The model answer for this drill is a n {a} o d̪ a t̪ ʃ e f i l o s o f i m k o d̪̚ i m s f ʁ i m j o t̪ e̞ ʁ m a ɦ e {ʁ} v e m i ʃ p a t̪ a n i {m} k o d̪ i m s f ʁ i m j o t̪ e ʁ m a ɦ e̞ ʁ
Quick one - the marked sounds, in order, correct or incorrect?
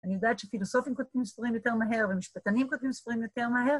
incorrect: i, correct, correct

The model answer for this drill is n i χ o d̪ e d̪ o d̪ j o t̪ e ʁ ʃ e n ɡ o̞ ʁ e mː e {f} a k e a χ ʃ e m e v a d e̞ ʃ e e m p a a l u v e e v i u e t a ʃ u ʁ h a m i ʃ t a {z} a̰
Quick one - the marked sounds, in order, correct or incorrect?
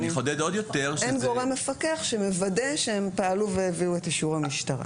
correct, incorrect: ʁ

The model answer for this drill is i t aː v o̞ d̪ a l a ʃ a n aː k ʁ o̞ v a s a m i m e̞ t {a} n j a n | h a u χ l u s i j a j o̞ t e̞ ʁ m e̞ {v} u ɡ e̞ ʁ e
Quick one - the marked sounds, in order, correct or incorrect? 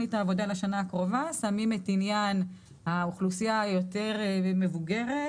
incorrect: i, correct

